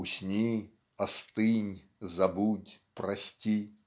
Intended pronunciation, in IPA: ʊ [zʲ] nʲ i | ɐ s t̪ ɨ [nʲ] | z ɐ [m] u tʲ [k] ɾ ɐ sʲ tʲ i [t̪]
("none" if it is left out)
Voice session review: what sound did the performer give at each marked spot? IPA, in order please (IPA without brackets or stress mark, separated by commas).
sʲ, nʲ, b, p, none